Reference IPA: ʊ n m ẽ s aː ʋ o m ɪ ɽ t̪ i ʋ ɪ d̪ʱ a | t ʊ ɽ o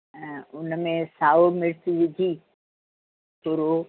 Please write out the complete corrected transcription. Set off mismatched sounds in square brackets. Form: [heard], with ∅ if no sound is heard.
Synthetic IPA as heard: ʊ n m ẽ s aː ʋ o m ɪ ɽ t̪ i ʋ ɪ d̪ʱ [i] | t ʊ [ɾ] o